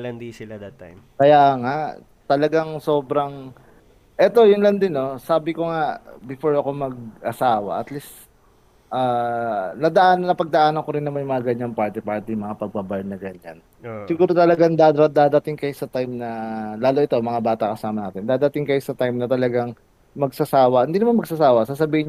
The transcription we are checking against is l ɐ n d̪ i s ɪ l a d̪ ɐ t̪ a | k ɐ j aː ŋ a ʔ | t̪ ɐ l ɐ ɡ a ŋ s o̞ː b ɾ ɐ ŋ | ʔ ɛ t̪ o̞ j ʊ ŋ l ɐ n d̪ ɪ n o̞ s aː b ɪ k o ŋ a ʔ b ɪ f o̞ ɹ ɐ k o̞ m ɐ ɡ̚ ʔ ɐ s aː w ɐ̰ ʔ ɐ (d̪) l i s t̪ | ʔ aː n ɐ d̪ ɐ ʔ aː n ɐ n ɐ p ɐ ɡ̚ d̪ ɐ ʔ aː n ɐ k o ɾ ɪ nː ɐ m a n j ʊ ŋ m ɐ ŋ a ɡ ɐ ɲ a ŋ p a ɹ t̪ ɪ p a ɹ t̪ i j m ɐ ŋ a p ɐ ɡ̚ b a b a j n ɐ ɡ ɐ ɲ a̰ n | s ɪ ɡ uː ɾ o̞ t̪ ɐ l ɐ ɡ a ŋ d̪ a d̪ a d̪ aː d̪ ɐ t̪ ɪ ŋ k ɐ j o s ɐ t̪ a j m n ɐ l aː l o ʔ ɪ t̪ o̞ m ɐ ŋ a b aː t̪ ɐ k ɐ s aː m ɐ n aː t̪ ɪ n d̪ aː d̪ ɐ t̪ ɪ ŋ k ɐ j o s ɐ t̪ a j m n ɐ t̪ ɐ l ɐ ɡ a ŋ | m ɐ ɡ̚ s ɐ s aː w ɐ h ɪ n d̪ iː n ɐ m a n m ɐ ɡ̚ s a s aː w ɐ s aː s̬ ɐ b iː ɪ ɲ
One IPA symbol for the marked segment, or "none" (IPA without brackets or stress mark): t̪